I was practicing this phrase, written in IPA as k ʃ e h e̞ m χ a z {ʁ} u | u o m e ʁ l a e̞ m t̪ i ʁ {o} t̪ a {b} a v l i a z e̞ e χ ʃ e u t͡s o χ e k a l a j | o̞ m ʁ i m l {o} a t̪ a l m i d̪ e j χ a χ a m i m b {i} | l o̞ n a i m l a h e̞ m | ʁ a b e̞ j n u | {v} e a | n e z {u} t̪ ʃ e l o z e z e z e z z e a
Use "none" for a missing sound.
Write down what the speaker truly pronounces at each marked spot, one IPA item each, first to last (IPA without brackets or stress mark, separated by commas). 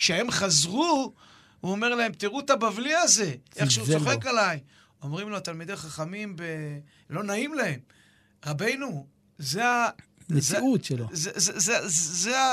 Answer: ʁ, u, b, o, e, z, u